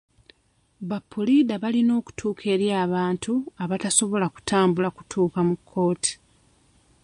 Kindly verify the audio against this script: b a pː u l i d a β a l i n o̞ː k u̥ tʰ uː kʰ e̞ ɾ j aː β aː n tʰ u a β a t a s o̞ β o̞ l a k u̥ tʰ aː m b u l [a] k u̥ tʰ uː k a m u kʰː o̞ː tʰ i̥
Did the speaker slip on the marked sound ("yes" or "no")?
no